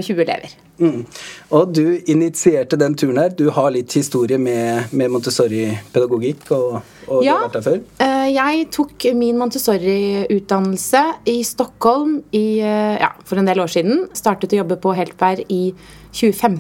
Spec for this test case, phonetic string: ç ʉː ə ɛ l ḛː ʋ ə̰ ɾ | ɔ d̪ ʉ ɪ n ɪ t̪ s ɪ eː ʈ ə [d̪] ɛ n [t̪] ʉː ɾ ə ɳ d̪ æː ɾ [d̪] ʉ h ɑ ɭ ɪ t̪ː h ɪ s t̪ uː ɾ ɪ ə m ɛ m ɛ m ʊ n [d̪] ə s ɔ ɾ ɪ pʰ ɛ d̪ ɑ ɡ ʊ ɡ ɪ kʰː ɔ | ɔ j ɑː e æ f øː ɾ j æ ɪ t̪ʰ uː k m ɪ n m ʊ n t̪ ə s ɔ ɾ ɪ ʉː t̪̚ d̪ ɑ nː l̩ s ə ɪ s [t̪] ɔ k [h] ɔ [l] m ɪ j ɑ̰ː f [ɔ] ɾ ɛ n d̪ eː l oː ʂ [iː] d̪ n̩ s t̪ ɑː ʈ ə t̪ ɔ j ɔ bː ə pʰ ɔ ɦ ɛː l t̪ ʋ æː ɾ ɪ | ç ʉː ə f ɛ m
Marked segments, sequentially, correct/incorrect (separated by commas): correct, incorrect, correct, incorrect, correct, correct, correct, correct, correct